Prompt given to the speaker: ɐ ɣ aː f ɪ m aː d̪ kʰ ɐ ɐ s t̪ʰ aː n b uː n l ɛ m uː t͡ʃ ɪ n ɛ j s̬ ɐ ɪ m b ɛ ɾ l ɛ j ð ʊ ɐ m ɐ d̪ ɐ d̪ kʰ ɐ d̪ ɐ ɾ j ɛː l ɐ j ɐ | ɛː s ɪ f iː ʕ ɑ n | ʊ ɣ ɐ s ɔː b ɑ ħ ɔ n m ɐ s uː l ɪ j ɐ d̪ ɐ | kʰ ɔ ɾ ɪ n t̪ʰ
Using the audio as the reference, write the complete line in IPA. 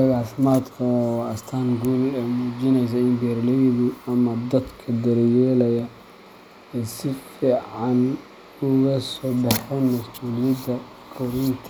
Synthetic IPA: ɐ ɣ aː f ɪ m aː d̪ kʰ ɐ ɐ s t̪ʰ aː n ɡ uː l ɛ m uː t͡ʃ ɪ n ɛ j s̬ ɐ ɪ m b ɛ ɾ l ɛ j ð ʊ ɐ m ɐ d̪ ɐ d̪ kʰ ɐ d̪ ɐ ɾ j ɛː l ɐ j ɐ | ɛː s ɪ f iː ʕ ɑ n | ʊ ɣ ɐ s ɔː b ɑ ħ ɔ n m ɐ s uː l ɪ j ɐ d̪ ɐ | kʰ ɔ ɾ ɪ n t̪ʰ

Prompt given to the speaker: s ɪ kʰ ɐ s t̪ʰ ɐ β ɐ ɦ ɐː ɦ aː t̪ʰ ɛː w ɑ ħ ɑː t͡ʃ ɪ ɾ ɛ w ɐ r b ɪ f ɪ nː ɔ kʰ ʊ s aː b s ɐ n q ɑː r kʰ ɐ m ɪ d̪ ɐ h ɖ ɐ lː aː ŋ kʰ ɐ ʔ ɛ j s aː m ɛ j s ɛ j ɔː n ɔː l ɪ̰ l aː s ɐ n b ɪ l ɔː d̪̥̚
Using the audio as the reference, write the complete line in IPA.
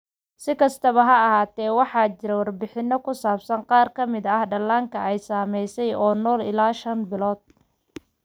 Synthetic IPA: s ɪ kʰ ɐ s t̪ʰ ɐ β ɐ ɦ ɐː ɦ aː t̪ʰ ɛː w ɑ ħ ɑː t͡ʃ ɪ ɾ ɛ w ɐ r b ɪ ħ ɪ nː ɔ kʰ ʊ s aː b s ɐ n q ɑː r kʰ ɐ m ɪ d̪ ɐ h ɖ ɐ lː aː ŋ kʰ ɐ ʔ ɛ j s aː m ɛ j s ɛ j ɔː n ɔː l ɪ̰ l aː ʃ ɐ n b ɪ l ɔː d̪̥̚

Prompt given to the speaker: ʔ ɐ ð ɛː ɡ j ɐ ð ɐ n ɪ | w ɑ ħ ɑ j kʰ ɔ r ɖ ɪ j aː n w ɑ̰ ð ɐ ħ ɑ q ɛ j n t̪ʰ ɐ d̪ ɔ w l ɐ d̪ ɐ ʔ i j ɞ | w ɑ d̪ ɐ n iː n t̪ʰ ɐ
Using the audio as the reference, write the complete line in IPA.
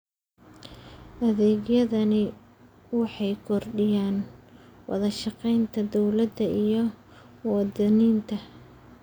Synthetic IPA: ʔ ɐ ð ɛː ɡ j ɐ ð ɐ n ɪ | w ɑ ħ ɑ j kʰ ɔ r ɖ ɪ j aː n w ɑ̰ ð ɐ ʃ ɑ q ɛ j n t̪ʰ ɐ d̪ ɔ w l ɐ d̪ ɐ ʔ i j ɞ | w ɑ d̪ ɐ n iː n t̪ʰ ɐ

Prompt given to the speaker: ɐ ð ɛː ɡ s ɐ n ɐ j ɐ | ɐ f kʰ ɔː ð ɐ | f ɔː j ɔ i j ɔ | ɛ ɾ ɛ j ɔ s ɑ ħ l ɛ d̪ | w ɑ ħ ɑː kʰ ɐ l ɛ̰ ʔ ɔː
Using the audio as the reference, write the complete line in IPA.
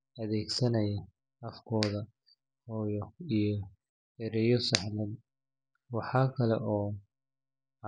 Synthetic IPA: ɐ ð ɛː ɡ s ɐ n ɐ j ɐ | ɐ f kʰ ɔː ð ɐ | h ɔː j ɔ i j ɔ | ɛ ɾ ɛ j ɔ s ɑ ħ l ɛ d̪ | w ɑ ħ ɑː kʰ ɐ l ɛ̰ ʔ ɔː

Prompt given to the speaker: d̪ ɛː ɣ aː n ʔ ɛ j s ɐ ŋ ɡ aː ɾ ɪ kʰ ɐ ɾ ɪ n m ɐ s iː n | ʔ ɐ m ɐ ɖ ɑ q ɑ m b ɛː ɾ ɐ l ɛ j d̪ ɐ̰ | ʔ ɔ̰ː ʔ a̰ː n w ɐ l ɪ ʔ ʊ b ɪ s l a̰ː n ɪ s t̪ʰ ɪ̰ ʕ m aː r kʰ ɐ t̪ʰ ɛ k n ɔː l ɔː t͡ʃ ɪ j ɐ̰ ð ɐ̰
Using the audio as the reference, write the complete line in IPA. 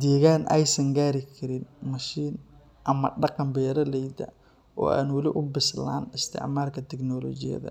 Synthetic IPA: d̪ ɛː ɣ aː n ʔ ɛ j s ɐ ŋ ɡ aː ɾ ɪ kʰ ɐ ɾ ɪ n m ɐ ʃ iː n | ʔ ɐ m ɐ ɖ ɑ q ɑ m b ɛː ɾ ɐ l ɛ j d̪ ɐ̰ | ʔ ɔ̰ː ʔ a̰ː n w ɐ l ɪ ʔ ʊ b ɪ s l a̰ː n ɪ s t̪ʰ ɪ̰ ʕ m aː r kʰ ɐ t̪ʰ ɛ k n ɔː l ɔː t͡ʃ ɪ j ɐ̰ ð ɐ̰

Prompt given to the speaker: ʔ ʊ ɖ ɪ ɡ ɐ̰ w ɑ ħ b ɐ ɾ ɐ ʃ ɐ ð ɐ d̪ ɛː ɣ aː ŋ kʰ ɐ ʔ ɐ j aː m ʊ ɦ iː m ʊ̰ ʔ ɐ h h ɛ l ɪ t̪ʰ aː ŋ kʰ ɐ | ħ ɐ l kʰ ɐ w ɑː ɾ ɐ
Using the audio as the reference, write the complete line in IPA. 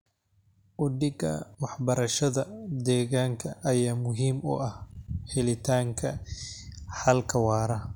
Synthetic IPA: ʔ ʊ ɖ ɪ ɡ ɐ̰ w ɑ ħ b ɐ ɾ ɐ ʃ ɐ ð ɐ d̪ ɛː ɣ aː ŋ kʰ ɐ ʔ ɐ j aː m ʊ ɦ iː m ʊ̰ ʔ ɐ h h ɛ l ɪ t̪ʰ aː ŋ kʰ ɐ | ħ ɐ l kʰ ɐ w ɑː ɾ ɐ

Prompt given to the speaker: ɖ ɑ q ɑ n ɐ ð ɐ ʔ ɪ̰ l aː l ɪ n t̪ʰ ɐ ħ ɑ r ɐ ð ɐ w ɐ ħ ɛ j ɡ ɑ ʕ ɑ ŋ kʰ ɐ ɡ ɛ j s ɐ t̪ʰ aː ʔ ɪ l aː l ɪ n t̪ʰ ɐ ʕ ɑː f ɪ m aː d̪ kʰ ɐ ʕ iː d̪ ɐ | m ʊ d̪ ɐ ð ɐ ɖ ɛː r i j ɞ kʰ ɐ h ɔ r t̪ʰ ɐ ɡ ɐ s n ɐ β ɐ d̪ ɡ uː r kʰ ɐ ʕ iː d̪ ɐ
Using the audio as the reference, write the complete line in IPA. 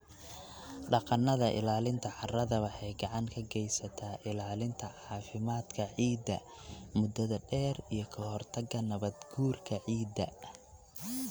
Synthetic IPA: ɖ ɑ q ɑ n ɐ ð ɐ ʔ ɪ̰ l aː l ɪ n t̪ʰ ɐ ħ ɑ r ɐ ð ɐ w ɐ ħ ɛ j ɡ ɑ ʕ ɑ ŋ kʰ ɐ ɡ ɛ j s ɐ t̪ʰ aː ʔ ɪ l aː l ɪ n t̪ʰ ɐ ʕ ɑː f ɪ m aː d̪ kʰ ɐ ʕ iː d̪ ɐ | m ʊ d̪ ɐ ð ɐ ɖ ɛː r i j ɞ kʰ ɐ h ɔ r t̪ʰ ɐ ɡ ɐ n ɐ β ɐ d̪ ɡ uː r kʰ ɐ ʕ iː d̪ ɐ

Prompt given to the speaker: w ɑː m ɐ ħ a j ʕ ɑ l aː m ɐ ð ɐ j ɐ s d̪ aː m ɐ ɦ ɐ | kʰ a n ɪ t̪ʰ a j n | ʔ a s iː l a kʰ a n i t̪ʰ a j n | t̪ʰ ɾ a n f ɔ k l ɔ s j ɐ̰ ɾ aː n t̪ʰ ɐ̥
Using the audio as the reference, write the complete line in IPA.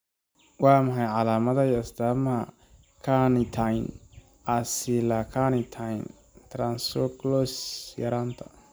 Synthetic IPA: w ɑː m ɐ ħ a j ʕ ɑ l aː m ɐ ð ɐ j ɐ s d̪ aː m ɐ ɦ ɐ | kʰ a n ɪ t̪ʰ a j n | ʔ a s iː l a kʰ a n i t̪ʰ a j n | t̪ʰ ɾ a n s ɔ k l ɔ s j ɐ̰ ɾ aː n t̪ʰ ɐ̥

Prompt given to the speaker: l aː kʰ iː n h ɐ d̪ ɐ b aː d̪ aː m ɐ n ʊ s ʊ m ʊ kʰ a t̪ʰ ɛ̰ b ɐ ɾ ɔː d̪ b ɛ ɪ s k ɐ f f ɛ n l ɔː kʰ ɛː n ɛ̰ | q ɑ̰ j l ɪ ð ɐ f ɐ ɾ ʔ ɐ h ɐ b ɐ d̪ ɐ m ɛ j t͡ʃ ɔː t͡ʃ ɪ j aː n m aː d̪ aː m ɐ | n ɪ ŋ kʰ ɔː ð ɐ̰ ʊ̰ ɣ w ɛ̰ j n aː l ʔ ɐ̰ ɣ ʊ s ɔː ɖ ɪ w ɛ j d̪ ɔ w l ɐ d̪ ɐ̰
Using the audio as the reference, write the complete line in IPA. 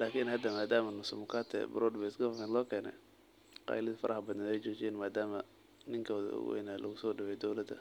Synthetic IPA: l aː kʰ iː n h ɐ d̪ ɐ m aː d̪ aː m ɐ n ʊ s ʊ m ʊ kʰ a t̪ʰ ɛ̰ b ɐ ɾ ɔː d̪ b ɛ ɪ s k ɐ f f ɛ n l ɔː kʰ ɛː n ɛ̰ | q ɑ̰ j l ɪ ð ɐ f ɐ ɾ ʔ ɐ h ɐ b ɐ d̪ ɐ n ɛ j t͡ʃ ɔː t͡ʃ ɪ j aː n m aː d̪ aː m ɐ | n ɪ ŋ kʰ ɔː ð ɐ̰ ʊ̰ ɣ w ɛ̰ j n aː l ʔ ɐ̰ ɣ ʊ s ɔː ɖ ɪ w ɛ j d̪ ɔ w l ɐ d̪ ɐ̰

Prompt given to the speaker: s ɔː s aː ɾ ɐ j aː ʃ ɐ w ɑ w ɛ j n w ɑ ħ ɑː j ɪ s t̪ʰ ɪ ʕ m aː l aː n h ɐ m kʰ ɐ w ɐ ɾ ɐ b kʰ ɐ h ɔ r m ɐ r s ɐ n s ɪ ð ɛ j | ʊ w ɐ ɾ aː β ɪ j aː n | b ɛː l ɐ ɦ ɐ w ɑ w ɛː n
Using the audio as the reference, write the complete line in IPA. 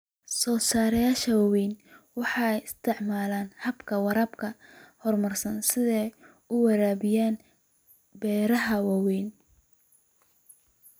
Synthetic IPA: s ɔː s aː ɾ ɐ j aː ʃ ɐ w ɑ w ɛ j n w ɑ ħ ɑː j ɪ s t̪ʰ ɪ ʕ m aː l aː n h ɐ b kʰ ɐ w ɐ ɾ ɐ b kʰ ɐ h ɔ r m ɐ r s ɐ n s ɪ ð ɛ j | ʊ w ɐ ɾ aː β ɪ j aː n | b ɛː ɾ ɐ ɦ ɐ w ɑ w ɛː n

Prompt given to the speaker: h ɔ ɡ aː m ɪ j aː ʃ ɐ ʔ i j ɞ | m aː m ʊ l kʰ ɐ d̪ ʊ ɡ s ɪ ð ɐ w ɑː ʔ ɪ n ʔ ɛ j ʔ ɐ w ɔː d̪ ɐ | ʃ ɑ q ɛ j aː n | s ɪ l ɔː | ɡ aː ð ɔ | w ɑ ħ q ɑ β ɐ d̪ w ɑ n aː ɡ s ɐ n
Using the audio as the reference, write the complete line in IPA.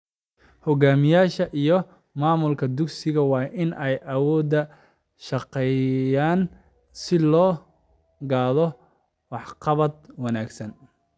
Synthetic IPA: h ɔ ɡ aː m ɪ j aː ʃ ɐ ʔ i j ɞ | m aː m ʊ l kʰ ɐ d̪ ʊ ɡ s ɪ ɣ ɐ w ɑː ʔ ɪ n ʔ ɛ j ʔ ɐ w ɔː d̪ ɐ | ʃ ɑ q ɛ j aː n | s ɪ l ɔː | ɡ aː ð ɔ | w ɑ ħ q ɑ β ɐ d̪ w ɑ n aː ɡ s ɐ n

